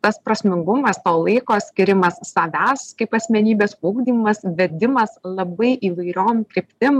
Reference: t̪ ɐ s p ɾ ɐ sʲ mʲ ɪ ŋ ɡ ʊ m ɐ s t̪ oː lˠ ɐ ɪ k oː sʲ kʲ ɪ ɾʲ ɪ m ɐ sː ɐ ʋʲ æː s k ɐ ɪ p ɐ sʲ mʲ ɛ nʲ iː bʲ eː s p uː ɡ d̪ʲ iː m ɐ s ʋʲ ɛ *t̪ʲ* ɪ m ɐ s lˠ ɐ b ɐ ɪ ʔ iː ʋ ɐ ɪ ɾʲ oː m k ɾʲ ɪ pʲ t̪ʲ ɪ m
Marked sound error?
yes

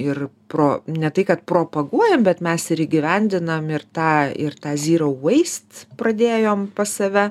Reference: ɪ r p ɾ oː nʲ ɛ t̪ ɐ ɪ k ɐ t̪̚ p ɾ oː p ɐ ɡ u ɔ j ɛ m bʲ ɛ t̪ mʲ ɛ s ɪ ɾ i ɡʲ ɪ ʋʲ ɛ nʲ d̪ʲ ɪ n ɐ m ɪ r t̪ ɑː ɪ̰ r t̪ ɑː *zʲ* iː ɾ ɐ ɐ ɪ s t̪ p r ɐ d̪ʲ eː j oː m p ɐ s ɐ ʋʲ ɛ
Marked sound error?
no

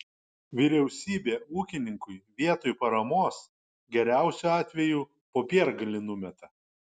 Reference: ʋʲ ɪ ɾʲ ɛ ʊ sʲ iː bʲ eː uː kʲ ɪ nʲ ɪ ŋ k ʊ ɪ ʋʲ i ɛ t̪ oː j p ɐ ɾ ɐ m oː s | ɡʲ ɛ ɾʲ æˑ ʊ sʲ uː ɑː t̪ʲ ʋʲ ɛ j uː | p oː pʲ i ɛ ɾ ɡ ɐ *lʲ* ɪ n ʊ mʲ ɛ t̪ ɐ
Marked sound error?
no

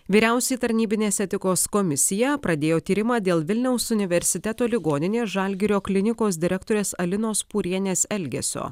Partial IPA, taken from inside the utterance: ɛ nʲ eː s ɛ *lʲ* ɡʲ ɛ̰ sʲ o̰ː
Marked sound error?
no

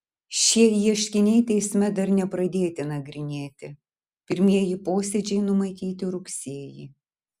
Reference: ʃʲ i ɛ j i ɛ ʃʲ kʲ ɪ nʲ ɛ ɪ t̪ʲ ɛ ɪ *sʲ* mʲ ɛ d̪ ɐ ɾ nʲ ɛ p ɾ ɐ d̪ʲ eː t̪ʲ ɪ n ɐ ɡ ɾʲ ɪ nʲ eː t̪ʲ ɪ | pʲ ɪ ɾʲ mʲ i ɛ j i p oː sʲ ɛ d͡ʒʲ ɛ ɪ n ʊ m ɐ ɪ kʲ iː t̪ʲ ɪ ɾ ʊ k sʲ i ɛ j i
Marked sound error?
no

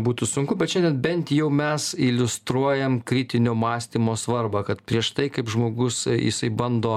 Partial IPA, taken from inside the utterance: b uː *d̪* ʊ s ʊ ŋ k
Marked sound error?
yes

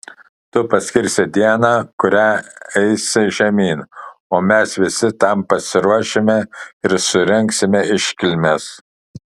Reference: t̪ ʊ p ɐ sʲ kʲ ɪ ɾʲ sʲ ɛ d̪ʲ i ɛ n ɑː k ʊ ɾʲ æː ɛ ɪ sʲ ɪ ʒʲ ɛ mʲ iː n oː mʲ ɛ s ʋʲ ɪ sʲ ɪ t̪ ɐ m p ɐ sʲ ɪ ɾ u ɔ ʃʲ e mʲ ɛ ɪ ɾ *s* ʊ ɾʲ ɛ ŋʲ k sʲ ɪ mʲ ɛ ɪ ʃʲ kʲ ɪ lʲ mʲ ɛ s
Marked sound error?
no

